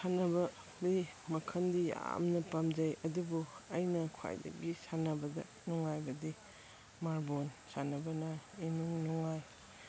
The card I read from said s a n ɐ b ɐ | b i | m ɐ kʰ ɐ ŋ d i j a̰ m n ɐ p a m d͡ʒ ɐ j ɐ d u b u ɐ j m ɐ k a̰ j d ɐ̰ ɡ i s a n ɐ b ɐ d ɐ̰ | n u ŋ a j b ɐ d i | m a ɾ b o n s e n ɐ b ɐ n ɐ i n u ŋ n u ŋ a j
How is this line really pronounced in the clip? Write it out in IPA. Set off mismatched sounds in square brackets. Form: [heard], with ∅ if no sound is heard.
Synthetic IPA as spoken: s a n ɐ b ɐ | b i | m ɐ kʰ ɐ [n] d i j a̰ m n ɐ p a m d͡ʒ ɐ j ɐ d u b u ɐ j [n] ɐ [kʰ] a̰ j d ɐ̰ ɡ i s a n ɐ b ɐ d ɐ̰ | n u ŋ a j b ɐ d i | m a ɾ b o n s [a] n ɐ b ɐ n ɐ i n u ŋ n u ŋ a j

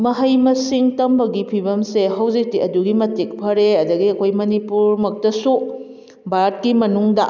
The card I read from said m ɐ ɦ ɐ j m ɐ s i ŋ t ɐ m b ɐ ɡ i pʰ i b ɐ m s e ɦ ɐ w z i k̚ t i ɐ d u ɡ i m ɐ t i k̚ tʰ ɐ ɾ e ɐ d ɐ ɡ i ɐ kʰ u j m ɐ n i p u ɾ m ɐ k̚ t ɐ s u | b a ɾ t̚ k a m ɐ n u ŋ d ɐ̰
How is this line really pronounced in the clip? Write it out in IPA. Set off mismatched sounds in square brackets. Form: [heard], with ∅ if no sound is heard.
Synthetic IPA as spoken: m ɐ ɦ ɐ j m ɐ s i ŋ t ɐ m b ɐ ɡ i pʰ i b ɐ m s e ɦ ɐ w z i k̚ t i ɐ d u ɡ i m ɐ t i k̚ [pʰ] ɐ ɾ e ɐ d ɐ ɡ i ɐ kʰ [o] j m ɐ n i p u ɾ m ɐ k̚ t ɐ s u | b a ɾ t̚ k [i] m ɐ n u ŋ d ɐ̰

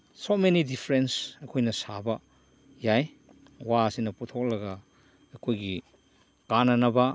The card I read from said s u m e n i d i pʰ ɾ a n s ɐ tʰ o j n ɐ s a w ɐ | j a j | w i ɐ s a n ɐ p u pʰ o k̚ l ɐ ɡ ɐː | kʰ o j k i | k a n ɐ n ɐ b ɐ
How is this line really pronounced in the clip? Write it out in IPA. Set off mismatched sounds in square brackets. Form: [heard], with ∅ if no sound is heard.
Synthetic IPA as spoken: s [o] m e n i d i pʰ ɾ [e] n s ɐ [kʰ] o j n ɐ s a [b] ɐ | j a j | w [a] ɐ s [i] n ɐ p u [tʰ] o k̚ l ɐ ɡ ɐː | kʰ o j [ɡ] i | k a n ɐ n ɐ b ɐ

